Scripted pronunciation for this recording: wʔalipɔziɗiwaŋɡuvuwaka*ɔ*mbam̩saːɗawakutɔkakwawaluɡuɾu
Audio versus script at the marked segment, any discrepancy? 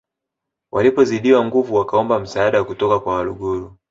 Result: no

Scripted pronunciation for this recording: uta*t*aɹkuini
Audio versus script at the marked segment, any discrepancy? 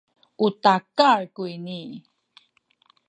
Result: yes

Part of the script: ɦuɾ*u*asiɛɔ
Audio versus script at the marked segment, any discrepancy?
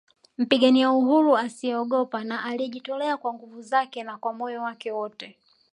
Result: no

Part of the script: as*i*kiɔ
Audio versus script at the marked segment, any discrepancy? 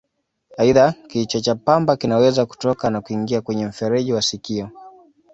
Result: no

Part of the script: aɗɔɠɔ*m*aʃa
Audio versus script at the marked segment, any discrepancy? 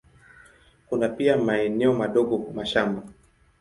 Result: no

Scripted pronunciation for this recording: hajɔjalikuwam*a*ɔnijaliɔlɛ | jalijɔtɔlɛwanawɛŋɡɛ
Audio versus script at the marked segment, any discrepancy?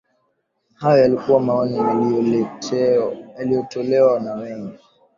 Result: no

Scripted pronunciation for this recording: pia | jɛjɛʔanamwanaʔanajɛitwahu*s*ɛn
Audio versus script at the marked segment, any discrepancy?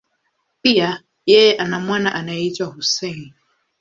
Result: no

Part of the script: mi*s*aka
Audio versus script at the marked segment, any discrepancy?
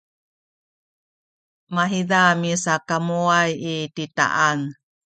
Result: no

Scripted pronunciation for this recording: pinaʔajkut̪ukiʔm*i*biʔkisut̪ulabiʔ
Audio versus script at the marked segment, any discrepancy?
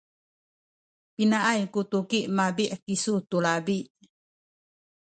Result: yes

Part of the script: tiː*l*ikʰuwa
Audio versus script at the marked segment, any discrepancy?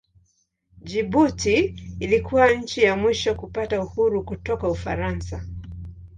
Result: no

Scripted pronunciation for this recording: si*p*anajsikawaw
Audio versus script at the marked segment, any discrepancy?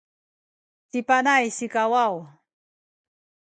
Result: no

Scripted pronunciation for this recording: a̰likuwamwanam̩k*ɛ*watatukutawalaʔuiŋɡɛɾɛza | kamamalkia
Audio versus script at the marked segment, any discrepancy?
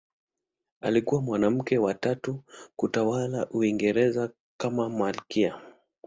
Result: no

